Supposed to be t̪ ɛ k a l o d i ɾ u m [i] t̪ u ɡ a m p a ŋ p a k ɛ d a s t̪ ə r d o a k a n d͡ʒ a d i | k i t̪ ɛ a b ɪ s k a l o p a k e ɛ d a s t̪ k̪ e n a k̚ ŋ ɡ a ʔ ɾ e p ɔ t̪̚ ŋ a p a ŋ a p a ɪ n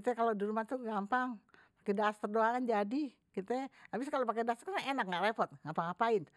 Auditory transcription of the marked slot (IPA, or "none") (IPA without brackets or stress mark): a